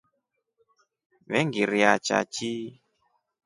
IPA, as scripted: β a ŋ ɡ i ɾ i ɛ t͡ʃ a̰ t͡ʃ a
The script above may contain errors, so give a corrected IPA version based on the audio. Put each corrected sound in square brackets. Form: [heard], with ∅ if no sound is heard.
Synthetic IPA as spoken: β [ɛ] ŋ ɡ i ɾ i [a] t͡ʃ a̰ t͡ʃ [i]